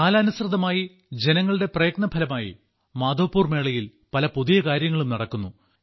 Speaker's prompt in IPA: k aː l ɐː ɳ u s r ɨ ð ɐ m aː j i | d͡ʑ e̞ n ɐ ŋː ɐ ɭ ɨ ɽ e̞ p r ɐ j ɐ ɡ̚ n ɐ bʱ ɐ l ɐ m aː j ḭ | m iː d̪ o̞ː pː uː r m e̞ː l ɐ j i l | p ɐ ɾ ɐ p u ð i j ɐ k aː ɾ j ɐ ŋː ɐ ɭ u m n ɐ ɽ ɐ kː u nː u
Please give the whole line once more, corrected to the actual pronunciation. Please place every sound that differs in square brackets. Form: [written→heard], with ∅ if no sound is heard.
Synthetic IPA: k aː l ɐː [ɳ→n] u s r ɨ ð ɐ m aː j i | d͡ʑ e̞ n ɐ ŋː ɐ ɭ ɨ ɽ e̞ p r ɐ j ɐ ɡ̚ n ɐ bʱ ɐ l ɐ m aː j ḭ | m [iː→aː] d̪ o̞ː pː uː r m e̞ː [l→ɭ] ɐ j i l | p ɐ [ɾ→l] ɐ p u ð i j ɐ k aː ɾ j ɐ ŋː ɐ ɭ u m n ɐ ɽ ɐ kː u nː u

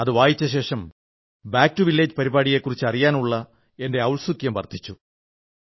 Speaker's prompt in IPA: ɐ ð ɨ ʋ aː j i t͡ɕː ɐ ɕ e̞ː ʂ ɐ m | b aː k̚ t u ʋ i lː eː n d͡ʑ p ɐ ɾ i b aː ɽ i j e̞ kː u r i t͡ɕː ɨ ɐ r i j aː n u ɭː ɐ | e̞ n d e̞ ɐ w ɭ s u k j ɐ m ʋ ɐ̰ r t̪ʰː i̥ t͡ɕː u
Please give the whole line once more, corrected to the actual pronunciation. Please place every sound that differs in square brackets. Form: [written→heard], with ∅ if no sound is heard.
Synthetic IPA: ɐ ð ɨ ʋ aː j i t͡ɕː ɐ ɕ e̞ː ʂ ɐ m | b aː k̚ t u ʋ i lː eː [n→∅] d͡ʑ p ɐ ɾ i b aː ɽ i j e̞ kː u r i t͡ɕː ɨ ɐ r i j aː n u ɭː ɐ | e̞ n d e̞ ɐ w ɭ s u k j ɐ m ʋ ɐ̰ r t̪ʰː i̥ t͡ɕː u

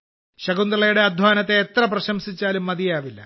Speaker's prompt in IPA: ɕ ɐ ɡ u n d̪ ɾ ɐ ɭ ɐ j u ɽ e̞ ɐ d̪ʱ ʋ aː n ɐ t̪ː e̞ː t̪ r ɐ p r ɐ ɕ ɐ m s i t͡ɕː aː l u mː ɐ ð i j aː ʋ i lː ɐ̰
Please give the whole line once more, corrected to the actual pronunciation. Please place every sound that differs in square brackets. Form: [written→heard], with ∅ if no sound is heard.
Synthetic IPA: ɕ ɐ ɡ u n d̪ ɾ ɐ ɭ ɐ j u ɽ e̞ ɐ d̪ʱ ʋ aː n ɐ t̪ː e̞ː t̪ r ɐ p r ɐ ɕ ɐ m s i t͡ɕː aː l u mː ɐ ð i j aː ʋ i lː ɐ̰

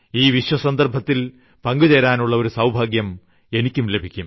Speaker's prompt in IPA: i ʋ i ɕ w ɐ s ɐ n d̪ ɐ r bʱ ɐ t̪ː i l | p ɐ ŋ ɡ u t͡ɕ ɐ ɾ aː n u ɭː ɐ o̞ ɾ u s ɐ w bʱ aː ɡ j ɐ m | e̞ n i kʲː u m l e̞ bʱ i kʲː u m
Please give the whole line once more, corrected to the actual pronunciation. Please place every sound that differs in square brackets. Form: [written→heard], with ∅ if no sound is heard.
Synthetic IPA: [i→iː] ʋ i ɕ w ɐ s ɐ n d̪ ɐ r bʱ ɐ t̪ː i l | p ɐ ŋ ɡ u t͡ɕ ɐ ɾ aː n u ɭː ɐ o̞ ɾ u s ɐ w bʱ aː ɡ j ɐ m | e̞ n i kʲː u m l e̞ bʱ i kʲː u m

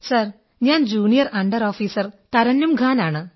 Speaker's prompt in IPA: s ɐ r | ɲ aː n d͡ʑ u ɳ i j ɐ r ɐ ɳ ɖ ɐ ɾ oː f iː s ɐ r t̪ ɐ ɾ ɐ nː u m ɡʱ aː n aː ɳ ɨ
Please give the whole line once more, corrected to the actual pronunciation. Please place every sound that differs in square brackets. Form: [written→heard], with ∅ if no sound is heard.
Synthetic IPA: s ɐ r | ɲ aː n d͡ʑ [u→uː] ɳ i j ɐ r ɐ ɳ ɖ ɐ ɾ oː f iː s ɐ r t̪ ɐ ɾ ɐ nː u m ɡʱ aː n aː ɳ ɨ

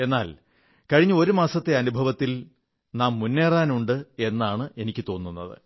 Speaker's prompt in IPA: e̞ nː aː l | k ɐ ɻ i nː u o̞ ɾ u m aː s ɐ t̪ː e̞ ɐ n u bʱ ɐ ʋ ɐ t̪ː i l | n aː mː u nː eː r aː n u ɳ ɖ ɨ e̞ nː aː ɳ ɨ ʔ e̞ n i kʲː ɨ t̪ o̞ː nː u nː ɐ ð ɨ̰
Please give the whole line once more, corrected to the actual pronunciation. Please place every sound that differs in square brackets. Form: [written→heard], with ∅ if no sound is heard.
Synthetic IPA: e̞ nː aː l | k ɐ ɻ i [nː→ɲː] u o̞ ɾ u m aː s ɐ t̪ː e̞ ɐ n u bʱ ɐ ʋ ɐ t̪ː i l | n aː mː u nː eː r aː n u ɳ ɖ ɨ e̞ nː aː ɳ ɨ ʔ e̞ n i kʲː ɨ t̪ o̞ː nː u nː ɐ ð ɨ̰

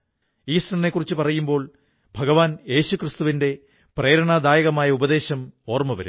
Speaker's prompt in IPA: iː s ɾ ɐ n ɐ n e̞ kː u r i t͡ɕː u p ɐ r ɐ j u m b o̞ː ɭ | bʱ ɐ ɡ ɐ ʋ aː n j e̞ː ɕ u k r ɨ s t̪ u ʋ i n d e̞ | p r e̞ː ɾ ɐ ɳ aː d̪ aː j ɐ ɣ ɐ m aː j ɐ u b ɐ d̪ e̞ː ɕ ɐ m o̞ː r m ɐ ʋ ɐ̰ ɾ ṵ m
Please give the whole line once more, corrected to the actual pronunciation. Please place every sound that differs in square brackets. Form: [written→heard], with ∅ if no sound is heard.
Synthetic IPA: iː s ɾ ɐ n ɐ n e̞ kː u r i t͡ɕː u p ɐ r ɐ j u m b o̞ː ɭ | bʱ ɐ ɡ ɐ ʋ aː n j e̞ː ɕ u k r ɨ s t̪ u ʋ i n d e̞ | p r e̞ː ɾ ɐ ɳ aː d̪ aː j ɐ ɣ ɐ m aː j ɐ u b ɐ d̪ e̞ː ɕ ɐ m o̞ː r m ɐ ʋ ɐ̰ ɾ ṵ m

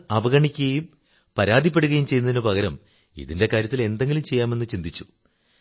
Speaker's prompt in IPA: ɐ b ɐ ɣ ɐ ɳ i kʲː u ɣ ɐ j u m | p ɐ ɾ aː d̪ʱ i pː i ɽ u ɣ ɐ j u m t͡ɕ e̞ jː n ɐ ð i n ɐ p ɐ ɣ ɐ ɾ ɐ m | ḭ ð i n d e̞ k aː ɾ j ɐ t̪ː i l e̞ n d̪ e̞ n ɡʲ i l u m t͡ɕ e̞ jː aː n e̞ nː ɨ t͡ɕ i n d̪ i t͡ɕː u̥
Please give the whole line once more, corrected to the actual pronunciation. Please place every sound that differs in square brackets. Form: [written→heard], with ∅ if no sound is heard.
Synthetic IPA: ɐ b ɐ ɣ ɐ ɳ i kʲː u ɣ ɐ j u m | p ɐ ɾ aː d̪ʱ i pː [i→e] ɽ u ɣ ɐ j u m t͡ɕ e̞ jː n ɐ ð i n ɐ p ɐ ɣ ɐ ɾ ɐ m | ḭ ð i n d e̞ k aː ɾ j ɐ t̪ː i l e̞ n d̪ e̞ [n→ŋ] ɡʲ i l u m t͡ɕ e̞ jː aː [n→m] e̞ nː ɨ t͡ɕ i n d̪ i t͡ɕː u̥

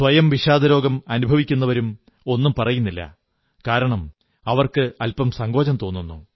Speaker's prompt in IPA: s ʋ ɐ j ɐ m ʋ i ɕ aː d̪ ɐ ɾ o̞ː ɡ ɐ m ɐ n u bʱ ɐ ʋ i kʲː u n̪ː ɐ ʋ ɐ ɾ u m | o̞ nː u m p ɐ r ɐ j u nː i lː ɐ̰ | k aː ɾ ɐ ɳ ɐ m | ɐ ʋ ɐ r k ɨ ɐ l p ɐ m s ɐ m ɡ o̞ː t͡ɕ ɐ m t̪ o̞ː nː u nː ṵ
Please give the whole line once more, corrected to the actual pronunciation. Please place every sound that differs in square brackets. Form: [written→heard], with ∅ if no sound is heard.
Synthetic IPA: s ʋ ɐ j ɐ m ʋ i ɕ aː d̪ ɐ ɾ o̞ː ɡ ɐ m ɐ n u bʱ ɐ ʋ i kʲː u n̪ː ɐ ʋ ɐ ɾ u m | o̞ nː u m p ɐ r ɐ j u nː i lː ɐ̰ | k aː ɾ ɐ ɳ ɐ m | ɐ ʋ ɐ r k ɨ ɐ l p ɐ m s ɐ [m→ŋ] ɡ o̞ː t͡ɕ ɐ m t̪ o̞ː nː u nː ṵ

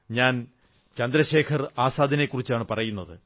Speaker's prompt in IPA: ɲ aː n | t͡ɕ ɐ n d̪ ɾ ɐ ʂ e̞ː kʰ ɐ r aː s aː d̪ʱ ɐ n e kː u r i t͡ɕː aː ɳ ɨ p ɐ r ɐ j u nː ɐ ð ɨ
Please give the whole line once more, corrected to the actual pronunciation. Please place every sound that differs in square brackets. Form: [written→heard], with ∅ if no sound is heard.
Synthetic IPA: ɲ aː n | t͡ɕ ɐ n d̪ ɾ ɐ [ʂ→ɕ] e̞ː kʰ ɐ r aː s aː d̪ʱ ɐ n e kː u r i t͡ɕː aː ɳ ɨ p ɐ r ɐ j u nː ɐ ð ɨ

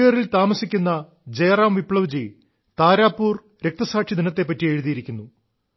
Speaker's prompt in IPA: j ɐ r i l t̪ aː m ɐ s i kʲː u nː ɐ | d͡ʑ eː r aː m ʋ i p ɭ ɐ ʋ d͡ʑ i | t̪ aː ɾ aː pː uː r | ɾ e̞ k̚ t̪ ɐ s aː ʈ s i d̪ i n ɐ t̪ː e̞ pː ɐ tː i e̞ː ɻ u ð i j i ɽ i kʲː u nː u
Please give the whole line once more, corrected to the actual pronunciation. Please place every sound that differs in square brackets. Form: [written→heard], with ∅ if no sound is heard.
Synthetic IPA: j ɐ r i l t̪ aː m ɐ s i kʲː u nː ɐ | d͡ʑ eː r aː m ʋ i p ɭ ɐ ʋ d͡ʑ i | t̪ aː ɾ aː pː uː r | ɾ e̞ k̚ t̪ ɐ s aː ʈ [s→ʂ] i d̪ i n ɐ t̪ː e̞ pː ɐ tː i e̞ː ɻ u ð i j i [ɽ→ɾ] i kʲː u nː u

